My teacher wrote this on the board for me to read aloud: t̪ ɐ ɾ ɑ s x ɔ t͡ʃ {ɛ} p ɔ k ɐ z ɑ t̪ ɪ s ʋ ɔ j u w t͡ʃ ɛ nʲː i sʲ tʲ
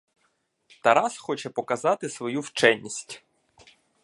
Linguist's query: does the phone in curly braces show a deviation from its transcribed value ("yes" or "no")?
no